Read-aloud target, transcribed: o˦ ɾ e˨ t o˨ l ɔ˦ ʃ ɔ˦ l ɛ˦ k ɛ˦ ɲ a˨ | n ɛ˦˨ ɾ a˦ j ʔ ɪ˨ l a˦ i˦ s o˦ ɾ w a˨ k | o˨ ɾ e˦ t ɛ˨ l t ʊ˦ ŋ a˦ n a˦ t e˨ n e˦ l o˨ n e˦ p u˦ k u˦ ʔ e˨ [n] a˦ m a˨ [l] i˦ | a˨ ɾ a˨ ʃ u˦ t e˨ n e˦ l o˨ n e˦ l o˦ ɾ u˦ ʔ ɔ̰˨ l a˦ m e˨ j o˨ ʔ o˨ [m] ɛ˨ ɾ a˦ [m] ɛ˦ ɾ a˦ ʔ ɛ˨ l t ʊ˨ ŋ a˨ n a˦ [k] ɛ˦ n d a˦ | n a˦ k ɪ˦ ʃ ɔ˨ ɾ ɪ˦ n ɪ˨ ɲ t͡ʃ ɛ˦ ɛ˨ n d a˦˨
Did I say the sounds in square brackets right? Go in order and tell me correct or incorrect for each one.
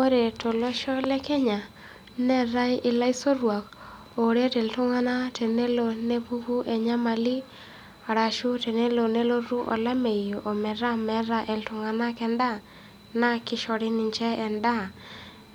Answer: incorrect: ɲ, correct, correct, correct, correct

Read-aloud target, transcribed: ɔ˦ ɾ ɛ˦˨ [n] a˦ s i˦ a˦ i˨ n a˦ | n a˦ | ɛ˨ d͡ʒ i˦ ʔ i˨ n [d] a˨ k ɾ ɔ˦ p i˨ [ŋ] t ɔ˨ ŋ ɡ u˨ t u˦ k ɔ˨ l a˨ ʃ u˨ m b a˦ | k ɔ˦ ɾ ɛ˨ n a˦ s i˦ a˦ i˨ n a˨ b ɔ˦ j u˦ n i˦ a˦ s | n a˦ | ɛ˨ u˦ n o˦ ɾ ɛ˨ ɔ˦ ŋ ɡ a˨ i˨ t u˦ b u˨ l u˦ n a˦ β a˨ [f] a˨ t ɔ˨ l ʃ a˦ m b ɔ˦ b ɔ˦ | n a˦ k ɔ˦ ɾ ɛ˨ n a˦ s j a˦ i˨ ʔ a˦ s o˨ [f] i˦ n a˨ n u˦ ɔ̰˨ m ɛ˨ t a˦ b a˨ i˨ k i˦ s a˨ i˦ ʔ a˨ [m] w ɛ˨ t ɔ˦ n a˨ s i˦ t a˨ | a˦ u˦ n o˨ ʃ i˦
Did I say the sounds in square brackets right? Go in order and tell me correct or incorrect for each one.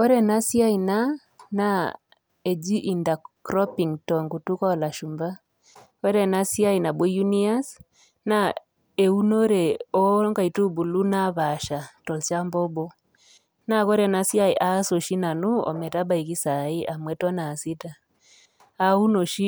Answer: correct, correct, correct, incorrect: ʃ, incorrect: ʃ, correct

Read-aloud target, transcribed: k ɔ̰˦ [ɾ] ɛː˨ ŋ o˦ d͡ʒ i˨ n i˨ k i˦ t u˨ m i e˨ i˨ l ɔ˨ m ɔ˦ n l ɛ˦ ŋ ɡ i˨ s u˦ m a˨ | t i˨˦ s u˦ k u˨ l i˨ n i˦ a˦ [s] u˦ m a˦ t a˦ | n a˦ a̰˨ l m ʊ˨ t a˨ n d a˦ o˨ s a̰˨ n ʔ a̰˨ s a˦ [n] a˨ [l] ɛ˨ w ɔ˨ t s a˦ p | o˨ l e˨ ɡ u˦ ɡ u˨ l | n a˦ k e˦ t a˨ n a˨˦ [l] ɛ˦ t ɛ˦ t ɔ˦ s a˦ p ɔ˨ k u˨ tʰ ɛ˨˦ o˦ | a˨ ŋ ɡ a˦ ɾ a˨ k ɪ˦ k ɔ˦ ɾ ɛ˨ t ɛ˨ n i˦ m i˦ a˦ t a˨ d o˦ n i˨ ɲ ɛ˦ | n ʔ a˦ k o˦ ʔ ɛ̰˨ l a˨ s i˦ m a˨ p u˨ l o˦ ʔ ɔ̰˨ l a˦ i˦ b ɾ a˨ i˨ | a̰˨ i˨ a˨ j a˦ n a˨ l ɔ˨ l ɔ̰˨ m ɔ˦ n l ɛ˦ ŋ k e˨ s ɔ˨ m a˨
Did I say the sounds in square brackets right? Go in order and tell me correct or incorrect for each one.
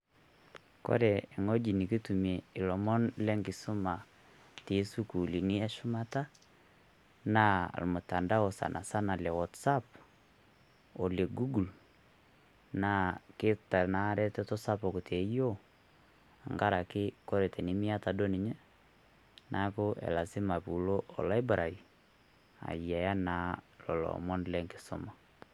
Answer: correct, incorrect: ʃ, correct, correct, incorrect: ɾ

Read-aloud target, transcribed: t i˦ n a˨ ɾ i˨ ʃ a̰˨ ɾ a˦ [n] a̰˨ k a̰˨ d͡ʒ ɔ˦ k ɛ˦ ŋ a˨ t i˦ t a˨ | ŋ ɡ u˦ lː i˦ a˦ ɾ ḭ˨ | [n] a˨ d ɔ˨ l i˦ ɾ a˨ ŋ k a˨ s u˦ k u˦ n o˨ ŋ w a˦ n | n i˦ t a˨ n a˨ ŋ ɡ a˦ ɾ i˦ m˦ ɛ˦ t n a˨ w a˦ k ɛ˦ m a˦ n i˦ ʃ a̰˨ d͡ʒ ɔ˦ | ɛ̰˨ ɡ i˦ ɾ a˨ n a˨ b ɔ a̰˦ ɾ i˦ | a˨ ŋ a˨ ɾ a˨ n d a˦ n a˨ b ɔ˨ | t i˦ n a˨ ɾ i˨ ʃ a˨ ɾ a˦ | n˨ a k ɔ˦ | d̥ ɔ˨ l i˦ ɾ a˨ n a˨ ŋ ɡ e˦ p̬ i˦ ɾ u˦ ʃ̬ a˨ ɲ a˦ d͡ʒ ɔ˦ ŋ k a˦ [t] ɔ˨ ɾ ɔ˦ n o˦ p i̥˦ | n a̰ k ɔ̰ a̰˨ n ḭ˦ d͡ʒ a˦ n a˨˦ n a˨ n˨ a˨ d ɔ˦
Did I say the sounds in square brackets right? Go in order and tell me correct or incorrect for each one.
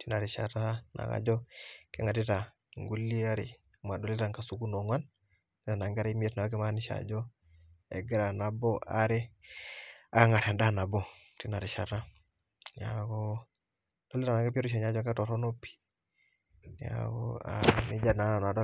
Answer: correct, incorrect: m, correct

